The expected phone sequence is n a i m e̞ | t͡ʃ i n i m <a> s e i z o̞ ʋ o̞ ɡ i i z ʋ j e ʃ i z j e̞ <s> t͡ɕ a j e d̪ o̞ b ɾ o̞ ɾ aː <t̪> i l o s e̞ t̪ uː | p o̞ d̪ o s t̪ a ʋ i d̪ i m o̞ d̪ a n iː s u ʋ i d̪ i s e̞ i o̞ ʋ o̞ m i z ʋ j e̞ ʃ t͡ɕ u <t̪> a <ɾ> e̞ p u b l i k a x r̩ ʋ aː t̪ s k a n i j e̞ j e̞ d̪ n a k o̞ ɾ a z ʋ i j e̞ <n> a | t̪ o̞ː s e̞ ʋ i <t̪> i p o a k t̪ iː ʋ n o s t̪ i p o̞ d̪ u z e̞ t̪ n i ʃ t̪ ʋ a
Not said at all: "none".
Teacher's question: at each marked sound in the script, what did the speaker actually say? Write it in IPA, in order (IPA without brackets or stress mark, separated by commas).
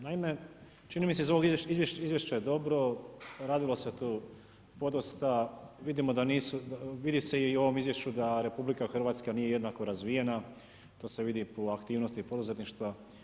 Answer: i, ʃ, d̪, d̪, ɾ, n, d̪